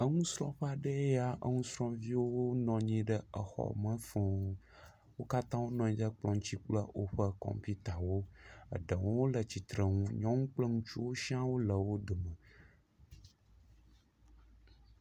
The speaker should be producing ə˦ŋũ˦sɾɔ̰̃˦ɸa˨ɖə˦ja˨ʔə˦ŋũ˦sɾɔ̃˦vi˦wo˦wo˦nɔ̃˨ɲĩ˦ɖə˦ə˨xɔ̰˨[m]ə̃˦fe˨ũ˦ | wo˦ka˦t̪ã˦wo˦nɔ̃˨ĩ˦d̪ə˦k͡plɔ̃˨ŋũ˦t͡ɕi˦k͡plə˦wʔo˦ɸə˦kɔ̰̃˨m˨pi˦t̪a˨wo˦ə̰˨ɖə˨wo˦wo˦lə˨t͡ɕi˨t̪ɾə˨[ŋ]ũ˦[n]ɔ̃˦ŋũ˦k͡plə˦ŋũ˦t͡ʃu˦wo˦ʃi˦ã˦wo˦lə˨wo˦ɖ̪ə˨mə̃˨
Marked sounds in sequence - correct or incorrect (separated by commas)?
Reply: correct, correct, incorrect